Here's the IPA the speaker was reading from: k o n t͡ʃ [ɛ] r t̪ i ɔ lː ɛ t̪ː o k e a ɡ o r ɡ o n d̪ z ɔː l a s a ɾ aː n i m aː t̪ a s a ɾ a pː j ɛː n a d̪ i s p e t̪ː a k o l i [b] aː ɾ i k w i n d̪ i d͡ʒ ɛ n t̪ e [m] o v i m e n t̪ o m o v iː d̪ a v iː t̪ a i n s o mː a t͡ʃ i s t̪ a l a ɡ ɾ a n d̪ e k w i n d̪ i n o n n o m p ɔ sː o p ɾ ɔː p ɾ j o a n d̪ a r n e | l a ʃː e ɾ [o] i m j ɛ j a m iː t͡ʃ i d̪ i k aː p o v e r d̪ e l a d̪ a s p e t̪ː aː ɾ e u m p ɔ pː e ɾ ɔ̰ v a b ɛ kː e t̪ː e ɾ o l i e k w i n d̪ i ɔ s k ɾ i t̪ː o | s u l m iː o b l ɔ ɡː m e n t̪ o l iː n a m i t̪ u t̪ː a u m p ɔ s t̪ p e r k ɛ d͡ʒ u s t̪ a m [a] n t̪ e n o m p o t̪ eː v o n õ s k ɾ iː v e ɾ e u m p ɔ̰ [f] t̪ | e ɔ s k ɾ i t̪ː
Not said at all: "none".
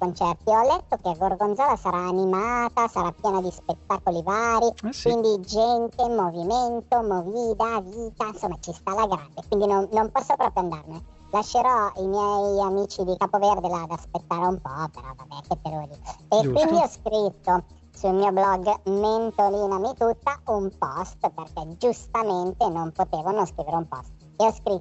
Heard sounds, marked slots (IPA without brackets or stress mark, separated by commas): ɛ, v, m, ɔ, e, s